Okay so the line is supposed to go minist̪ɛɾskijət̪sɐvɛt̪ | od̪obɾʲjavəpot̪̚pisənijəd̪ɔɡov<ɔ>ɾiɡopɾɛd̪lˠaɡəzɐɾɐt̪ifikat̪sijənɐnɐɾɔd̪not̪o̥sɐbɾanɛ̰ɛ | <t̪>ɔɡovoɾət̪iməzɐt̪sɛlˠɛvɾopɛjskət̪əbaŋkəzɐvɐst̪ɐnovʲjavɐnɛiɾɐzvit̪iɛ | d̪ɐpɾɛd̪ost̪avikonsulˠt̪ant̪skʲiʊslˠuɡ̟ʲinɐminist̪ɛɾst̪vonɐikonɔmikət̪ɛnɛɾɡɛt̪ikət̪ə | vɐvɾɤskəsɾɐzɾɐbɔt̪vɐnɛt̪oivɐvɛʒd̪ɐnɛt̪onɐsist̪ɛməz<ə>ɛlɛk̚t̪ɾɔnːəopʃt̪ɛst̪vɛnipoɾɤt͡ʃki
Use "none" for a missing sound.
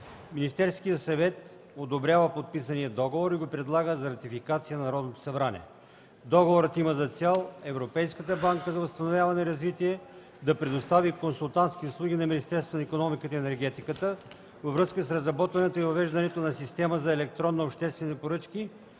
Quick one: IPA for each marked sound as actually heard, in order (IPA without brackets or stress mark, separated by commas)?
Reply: o, d̪, ɐ